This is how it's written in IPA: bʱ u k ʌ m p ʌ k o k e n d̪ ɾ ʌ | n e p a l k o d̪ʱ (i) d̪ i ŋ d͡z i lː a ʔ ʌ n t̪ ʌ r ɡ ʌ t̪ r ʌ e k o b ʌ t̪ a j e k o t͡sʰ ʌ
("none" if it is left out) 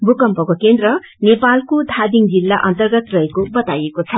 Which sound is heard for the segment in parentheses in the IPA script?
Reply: a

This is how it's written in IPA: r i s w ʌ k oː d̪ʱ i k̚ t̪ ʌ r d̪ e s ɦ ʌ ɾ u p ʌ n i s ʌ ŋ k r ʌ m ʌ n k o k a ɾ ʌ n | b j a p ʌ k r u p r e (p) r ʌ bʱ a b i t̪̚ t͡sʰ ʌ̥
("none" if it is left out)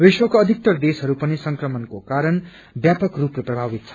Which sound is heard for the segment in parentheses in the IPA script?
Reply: p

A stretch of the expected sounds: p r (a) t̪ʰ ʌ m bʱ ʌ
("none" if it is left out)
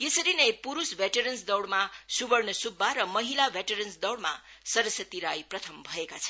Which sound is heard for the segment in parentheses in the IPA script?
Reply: ʌ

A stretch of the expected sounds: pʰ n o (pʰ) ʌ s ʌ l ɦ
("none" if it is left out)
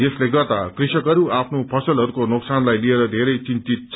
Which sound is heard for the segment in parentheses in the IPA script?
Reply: pʰ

